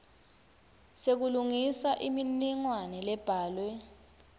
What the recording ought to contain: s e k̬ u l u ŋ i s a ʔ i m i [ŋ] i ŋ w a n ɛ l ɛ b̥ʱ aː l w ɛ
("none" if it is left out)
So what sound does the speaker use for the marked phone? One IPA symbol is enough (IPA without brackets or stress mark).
n